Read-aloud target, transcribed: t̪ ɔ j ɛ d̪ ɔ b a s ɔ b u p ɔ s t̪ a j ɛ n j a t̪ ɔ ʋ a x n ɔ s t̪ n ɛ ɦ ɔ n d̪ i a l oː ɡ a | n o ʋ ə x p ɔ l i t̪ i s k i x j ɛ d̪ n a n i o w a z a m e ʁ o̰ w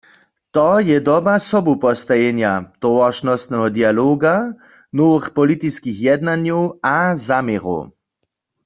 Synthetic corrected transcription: t̪ ɔ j ɛ d̪ ɔ b a s ɔ b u p ɔ s t̪ a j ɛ n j a t̪ ɔ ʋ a ʃ n ɔ s t̪ n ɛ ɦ ɔ d̪ i a l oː ɡ a | n o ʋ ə x p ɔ l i t̪ i s k i x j ɛ d̪ n a n j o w a z a m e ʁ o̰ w